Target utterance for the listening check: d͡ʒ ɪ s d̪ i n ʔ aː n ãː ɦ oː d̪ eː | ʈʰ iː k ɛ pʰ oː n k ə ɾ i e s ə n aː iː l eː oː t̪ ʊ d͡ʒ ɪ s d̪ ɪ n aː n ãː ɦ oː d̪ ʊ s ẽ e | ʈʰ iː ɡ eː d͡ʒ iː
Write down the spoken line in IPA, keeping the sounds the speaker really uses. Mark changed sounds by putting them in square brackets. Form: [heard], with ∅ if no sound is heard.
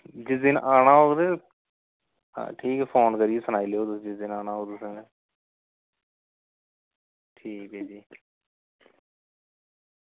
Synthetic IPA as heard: d͡ʒ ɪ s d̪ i n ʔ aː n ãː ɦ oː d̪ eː | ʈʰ iː k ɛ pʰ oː n k ə ɾ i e s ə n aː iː l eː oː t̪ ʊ d͡ʒ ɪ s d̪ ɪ n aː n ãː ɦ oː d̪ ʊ s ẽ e | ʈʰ iː [k] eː d͡ʒ iː